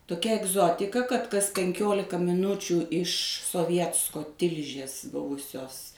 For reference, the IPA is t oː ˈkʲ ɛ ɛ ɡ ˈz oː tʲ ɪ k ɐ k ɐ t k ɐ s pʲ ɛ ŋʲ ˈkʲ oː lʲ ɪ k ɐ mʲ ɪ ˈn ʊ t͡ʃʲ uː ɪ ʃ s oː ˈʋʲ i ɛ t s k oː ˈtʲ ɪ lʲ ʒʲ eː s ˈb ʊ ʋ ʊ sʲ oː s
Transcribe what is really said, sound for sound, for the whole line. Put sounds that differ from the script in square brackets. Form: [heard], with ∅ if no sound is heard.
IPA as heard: t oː ˈkʲ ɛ ɛ ɡ ˈz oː tʲ ɪ k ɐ k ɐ t k ɐ s pʲ ɛ ŋʲ ˈkʲ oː lʲ ɪ k ɐ mʲ ɪ ˈn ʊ t͡ʃʲ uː ɪ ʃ s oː ˈʋʲ i ɛ t s k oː ˈtʲ ɪ lʲ ʒʲ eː s ˈb ʊ ʋ ʊ sʲ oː s